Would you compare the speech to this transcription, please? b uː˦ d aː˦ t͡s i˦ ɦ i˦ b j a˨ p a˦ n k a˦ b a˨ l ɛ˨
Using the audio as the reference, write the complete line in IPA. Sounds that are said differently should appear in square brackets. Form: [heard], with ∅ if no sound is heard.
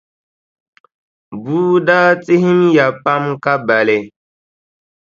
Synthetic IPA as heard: b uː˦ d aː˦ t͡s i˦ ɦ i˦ [m] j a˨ p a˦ [m] k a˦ b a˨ l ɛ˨